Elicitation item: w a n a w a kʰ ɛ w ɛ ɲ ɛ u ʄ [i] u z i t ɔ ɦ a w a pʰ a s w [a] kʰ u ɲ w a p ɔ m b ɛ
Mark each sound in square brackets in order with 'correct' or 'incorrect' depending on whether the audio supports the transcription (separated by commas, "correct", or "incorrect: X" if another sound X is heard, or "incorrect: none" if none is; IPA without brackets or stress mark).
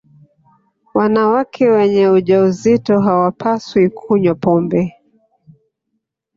incorrect: a, incorrect: i